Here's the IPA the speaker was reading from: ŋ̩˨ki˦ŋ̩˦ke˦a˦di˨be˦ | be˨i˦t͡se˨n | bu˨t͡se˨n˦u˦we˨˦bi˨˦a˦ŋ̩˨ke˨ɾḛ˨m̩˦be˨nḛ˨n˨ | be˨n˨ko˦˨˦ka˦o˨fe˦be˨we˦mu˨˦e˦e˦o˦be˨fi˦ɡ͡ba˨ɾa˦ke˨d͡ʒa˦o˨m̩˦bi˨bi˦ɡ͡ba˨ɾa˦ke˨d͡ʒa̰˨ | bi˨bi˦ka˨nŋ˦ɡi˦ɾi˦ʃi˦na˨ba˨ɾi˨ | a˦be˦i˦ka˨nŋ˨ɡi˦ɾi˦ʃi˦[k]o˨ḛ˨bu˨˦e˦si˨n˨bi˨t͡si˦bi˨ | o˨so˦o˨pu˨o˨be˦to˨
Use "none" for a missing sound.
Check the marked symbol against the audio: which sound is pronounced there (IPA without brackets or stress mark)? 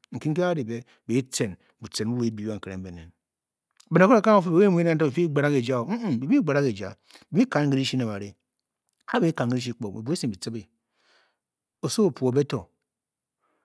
k͡p